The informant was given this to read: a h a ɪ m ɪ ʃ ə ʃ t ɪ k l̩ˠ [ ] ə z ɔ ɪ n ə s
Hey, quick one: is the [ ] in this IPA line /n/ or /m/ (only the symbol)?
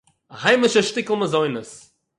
m